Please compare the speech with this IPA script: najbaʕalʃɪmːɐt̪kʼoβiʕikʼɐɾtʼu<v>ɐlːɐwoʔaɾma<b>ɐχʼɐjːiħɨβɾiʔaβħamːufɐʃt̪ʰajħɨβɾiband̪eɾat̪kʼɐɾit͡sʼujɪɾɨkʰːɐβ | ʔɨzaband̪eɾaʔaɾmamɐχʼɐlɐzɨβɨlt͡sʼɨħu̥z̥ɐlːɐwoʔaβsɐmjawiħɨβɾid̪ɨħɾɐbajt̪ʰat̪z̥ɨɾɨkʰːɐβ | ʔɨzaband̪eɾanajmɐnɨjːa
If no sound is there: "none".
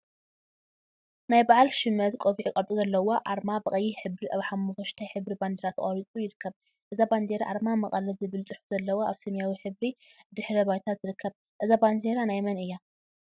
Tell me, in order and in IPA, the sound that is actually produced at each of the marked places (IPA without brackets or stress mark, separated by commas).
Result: z, b